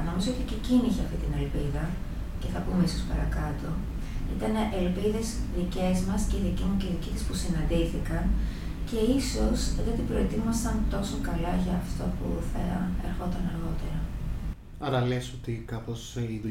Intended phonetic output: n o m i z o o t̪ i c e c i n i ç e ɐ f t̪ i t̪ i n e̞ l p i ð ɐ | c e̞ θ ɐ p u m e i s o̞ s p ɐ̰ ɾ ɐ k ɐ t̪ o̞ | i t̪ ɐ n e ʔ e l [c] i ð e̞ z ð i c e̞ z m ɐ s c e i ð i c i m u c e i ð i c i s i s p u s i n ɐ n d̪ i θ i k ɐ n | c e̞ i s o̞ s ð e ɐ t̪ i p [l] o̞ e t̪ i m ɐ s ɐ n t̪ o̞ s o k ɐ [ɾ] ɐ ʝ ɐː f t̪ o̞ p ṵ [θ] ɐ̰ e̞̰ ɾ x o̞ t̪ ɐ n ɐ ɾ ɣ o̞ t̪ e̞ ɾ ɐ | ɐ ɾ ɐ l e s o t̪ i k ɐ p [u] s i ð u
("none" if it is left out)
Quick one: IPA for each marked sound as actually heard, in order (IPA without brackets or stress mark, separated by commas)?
p, ɾ, l, θ, o